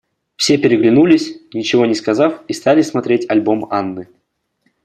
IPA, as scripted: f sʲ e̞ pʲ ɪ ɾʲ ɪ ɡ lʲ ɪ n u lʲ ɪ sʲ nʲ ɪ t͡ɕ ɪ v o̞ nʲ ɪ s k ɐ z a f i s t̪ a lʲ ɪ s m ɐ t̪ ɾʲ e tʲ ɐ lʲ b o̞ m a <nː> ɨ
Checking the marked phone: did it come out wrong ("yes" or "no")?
no